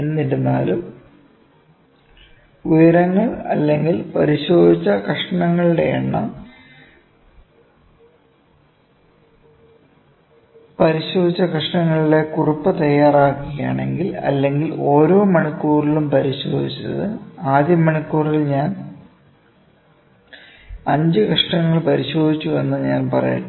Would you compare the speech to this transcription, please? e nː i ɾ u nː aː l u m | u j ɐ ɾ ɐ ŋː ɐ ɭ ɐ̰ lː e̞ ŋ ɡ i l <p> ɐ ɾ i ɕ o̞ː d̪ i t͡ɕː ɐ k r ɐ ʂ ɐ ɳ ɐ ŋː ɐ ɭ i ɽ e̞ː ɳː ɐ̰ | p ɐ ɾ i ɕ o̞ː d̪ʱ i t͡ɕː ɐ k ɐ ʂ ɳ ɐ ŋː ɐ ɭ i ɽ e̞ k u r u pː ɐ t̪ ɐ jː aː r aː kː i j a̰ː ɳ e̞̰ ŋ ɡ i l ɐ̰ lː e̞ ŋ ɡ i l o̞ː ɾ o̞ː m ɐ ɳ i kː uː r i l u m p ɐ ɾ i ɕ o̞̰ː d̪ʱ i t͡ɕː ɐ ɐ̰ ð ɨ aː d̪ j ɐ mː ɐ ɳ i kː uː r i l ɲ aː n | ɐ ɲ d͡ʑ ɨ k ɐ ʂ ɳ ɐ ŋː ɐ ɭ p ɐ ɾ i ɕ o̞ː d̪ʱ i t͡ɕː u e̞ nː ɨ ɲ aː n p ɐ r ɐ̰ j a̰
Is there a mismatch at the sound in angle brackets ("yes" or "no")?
no